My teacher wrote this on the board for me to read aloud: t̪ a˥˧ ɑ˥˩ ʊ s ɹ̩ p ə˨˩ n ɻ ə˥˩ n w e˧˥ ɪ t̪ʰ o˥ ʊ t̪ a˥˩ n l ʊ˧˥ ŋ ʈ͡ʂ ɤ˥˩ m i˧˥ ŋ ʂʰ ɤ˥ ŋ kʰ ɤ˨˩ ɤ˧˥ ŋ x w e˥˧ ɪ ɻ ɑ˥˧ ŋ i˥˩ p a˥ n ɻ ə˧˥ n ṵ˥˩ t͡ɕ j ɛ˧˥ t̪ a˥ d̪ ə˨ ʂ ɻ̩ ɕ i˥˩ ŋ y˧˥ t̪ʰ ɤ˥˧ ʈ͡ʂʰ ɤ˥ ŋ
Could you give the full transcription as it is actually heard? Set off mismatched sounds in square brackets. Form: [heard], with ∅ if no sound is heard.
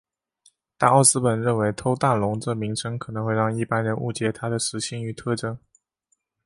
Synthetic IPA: t̪ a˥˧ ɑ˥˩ ʊ s ɹ̩ p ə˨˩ n ɻ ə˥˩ n w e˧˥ ɪ t̪ʰ o˥ ʊ t̪ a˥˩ n l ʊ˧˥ ŋ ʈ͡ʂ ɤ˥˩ m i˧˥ ŋ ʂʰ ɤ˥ ŋ kʰ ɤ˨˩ ɤ˧˥ ŋ x w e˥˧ ɪ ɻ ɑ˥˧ ŋ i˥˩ p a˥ n ɻ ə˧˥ n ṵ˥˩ t͡ɕ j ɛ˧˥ [t̪ʰ] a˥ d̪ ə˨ ʂ ɻ̩ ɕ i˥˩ ŋ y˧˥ t̪ʰ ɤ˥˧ [ʈ͡ʂ] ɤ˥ ŋ